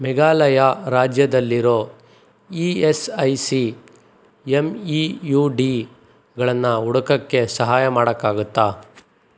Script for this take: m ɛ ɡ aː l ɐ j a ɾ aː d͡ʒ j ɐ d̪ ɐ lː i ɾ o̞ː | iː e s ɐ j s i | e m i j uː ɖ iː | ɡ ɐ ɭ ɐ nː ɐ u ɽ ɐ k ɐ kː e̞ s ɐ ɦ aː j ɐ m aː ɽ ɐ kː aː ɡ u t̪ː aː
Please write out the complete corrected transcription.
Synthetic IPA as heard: m ɛ ɡ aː l ɐ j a ɾ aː d͡ʒ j ɐ d̪ ɐ lː i ɾ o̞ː | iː e s ɐ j s i | e m i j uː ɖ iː | ɡ ɐ ɭ ɐ nː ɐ u ɽ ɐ k ɐ kː e̞ s ɐ ɦ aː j ɐ m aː ɽ ɐ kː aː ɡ u t̪ː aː